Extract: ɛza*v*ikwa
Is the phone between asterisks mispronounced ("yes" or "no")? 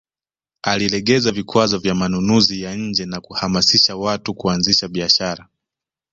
no